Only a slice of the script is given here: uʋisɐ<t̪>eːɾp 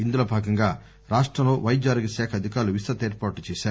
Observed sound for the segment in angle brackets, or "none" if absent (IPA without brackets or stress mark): t̪